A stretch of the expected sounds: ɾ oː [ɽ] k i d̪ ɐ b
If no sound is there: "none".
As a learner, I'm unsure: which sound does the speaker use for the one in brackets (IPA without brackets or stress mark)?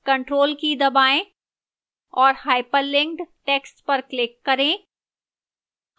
l